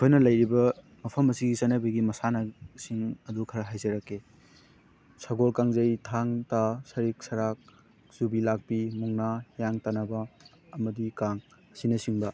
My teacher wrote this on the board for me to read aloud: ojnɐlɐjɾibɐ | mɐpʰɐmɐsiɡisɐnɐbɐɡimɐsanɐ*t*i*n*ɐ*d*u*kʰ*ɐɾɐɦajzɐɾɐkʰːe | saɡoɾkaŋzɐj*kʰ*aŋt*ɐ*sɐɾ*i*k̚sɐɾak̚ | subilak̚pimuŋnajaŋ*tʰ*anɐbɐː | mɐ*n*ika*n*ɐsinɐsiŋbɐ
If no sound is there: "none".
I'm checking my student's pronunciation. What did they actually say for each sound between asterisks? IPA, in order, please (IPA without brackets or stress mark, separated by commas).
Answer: s, ŋ, d, kʰ, tʰ, a, i, t, d, ŋ